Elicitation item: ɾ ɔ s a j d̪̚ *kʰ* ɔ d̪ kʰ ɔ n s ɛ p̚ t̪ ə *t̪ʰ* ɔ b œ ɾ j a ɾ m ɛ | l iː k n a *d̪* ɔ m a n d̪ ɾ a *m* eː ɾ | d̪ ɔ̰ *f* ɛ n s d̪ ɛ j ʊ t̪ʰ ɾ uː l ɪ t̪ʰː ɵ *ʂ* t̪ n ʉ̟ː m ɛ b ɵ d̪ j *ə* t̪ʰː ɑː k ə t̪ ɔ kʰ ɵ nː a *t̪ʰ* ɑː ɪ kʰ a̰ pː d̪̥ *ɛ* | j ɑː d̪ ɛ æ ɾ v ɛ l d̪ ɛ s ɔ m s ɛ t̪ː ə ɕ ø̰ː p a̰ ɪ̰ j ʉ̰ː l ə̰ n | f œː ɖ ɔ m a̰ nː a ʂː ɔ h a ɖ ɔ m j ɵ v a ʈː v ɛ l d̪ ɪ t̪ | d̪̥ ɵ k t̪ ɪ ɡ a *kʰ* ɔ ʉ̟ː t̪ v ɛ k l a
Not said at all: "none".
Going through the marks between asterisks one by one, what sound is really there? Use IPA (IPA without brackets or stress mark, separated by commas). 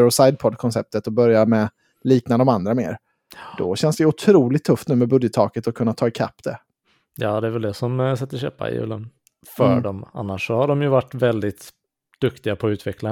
pʰ, t̪, d̪, m, ɕ, f, ə, t̪ʰ, ɛ, pʰ